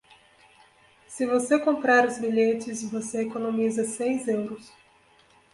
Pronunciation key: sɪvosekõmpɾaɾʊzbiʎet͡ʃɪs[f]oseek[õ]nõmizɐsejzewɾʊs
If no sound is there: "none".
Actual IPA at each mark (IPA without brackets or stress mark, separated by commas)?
v, o